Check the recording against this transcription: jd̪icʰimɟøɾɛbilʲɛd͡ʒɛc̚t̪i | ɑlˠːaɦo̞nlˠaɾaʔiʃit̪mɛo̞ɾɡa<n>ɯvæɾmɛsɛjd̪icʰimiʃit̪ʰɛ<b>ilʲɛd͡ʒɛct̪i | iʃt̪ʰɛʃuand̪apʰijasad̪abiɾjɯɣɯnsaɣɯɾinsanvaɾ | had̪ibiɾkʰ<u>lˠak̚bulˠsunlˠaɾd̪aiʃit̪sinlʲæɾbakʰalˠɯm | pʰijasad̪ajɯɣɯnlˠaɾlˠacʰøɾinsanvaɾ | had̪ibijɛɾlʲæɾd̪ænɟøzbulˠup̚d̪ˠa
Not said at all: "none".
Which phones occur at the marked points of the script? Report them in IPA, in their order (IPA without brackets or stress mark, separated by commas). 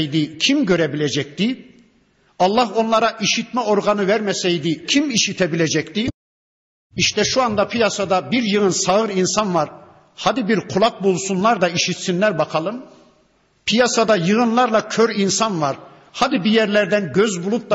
n, b, u